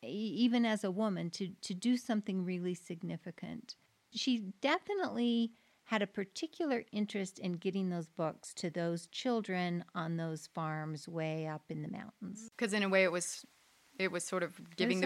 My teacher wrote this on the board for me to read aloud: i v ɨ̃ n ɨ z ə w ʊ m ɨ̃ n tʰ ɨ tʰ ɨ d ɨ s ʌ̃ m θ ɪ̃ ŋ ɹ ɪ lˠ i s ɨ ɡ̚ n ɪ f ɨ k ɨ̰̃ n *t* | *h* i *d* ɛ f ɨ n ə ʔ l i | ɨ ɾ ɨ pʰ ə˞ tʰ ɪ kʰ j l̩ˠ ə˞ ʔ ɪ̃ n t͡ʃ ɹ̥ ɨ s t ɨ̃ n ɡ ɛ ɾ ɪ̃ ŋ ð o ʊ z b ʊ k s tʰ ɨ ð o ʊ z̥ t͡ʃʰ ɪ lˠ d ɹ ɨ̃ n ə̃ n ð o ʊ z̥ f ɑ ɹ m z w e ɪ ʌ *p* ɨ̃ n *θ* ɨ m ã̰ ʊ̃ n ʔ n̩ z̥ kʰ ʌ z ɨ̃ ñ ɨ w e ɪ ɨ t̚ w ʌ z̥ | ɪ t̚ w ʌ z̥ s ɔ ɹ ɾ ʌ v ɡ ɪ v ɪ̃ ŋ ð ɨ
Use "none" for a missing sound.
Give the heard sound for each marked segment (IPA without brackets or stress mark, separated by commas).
t, ʃ, d, p, ð